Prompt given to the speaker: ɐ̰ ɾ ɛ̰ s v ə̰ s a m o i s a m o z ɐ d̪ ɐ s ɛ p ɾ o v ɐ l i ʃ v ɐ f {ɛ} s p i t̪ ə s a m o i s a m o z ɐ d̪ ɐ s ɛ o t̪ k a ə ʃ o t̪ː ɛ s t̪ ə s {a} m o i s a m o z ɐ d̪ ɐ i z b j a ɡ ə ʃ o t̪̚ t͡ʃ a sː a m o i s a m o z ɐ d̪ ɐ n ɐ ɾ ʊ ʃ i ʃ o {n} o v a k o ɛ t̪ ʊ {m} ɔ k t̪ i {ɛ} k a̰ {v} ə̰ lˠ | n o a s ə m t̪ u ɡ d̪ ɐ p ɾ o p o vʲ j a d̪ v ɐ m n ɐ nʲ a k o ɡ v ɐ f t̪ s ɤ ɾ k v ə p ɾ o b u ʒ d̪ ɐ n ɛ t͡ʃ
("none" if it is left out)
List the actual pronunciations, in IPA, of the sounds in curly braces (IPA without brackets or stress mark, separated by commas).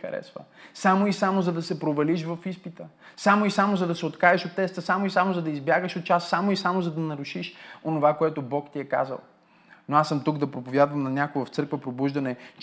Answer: i, a, n, b, ɛ, z